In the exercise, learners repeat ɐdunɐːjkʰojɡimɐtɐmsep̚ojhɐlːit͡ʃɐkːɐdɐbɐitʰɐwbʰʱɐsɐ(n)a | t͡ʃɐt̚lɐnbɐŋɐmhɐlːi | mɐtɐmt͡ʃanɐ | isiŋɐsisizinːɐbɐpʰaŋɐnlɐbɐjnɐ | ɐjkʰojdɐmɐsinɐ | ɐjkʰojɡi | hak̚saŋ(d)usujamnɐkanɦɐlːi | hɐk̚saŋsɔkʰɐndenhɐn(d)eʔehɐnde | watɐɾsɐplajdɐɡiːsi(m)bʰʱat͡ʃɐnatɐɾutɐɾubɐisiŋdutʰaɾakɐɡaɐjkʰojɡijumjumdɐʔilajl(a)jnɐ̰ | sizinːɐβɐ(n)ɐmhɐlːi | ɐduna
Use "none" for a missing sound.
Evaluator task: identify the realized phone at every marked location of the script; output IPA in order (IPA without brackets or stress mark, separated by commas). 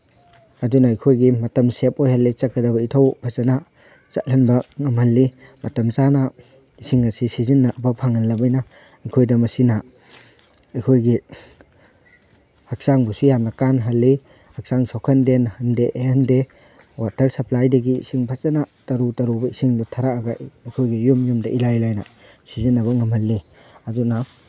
n, b, d, ŋ, a, ŋ